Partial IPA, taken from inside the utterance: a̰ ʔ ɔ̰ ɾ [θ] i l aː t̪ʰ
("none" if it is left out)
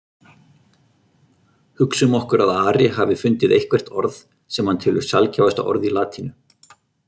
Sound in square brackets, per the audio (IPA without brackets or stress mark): ð